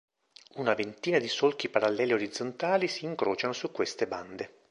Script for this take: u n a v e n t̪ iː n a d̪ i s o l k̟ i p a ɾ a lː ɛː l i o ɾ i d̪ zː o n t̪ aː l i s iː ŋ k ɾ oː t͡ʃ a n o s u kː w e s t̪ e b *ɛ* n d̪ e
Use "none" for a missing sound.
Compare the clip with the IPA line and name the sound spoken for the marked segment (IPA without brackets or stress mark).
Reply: a